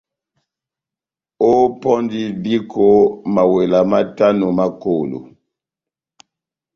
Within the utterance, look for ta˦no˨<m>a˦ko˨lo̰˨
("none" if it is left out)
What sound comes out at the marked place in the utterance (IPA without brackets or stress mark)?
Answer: m